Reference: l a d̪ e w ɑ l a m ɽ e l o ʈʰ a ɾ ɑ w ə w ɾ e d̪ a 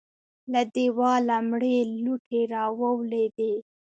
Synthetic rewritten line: l a d̪ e w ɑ l a m ɽ e l u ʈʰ e ɾ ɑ w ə w l e d̪ e